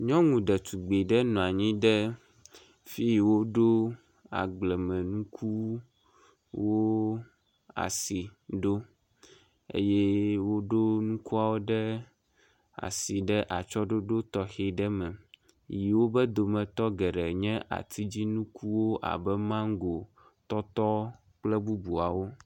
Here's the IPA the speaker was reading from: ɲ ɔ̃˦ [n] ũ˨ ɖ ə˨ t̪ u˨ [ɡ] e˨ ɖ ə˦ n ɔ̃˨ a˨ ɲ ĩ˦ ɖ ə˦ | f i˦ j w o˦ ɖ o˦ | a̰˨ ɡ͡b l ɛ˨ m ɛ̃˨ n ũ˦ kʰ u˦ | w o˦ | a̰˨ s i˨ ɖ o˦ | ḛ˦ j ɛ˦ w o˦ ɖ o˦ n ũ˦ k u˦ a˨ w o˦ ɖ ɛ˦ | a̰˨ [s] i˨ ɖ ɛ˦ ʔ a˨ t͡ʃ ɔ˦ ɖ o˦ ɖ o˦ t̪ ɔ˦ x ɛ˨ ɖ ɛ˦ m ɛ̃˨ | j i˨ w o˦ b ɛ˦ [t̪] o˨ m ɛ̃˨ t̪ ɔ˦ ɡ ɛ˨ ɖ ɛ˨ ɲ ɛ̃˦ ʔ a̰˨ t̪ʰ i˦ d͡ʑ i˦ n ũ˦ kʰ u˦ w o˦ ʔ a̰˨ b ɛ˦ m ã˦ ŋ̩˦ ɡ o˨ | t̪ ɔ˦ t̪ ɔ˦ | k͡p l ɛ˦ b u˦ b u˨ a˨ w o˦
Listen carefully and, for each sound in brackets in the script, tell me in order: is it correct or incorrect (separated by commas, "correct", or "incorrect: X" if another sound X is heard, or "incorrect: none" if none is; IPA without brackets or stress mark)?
incorrect: ŋ, incorrect: ɡ͡b, correct, incorrect: d̪